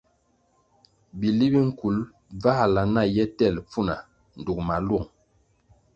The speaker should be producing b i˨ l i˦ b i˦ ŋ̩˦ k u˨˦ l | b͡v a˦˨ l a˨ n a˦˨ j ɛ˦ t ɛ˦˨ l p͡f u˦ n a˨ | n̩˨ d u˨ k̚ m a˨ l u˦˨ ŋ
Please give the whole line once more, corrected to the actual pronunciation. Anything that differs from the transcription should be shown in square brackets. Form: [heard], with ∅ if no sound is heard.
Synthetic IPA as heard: b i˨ l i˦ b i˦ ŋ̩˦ k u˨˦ l | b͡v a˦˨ l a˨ n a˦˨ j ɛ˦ t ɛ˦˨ l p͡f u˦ n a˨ | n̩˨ d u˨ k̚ m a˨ l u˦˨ ŋ